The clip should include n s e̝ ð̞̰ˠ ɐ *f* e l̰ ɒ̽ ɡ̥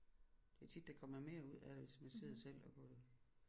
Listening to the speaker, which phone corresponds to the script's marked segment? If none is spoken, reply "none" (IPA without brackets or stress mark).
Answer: s